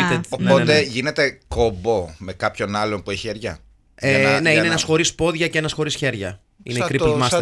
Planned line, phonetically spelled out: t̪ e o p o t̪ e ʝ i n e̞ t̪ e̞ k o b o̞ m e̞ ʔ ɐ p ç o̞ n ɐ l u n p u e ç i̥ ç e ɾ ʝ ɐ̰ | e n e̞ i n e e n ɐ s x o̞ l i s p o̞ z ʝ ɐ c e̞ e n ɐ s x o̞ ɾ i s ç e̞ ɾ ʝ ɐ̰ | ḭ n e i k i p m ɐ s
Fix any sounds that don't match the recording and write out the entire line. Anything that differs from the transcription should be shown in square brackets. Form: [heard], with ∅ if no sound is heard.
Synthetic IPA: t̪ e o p o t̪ e ʝ i n e̞ t̪ e̞ k o b o̞ m e̞ [k] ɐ p ç o̞ n ɐ l [o] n p u e ç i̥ ç e ɾ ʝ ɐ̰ | e n e̞ i n e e n ɐ s x o̞ [ɾ] i s p o̞ [ð] ʝ ɐ c e̞ e n ɐ s x o̞ ɾ i s ç e̞ ɾ ʝ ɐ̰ | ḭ n e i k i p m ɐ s